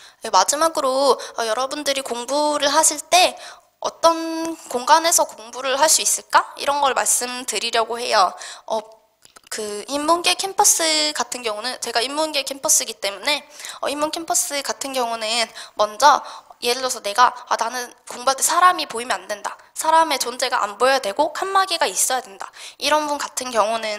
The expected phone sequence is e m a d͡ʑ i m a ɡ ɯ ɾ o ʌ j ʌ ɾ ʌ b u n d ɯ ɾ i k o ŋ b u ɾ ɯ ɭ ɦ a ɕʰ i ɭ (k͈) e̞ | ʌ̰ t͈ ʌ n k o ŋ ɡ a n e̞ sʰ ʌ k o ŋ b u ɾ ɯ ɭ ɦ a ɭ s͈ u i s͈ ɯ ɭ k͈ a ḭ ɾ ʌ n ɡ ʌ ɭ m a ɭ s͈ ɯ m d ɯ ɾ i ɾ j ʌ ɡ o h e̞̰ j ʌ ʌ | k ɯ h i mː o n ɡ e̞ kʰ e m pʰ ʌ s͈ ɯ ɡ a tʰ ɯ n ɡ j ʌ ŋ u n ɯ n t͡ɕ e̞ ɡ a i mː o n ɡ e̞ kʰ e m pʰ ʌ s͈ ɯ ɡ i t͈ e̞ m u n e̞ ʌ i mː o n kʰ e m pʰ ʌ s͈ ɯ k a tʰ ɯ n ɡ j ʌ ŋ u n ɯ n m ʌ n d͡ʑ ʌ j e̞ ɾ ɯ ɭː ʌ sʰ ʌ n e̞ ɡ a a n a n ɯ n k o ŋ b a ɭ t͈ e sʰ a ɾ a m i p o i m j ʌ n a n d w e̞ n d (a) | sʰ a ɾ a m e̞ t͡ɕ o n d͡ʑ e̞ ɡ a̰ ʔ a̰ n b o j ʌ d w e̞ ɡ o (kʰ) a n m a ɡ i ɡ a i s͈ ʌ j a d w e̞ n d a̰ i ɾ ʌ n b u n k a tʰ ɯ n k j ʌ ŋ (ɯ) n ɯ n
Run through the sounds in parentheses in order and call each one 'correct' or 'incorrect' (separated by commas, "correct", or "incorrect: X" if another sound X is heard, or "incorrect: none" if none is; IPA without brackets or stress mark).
incorrect: t͈, correct, correct, incorrect: u